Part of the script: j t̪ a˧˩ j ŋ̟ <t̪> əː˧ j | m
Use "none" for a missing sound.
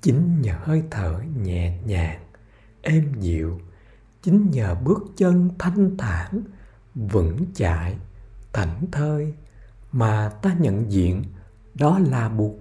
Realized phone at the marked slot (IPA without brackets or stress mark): t̪ʰ